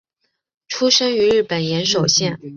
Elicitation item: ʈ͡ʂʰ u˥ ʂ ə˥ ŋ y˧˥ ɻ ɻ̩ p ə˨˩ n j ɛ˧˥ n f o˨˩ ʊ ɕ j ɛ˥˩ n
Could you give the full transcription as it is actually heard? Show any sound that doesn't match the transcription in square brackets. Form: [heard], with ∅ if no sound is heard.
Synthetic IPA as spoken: ʈ͡ʂʰ u˥ ʂ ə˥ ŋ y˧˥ ɻ ɻ̩ p ə˨˩ n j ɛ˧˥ n [ʂ] o˨˩ ʊ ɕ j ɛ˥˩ n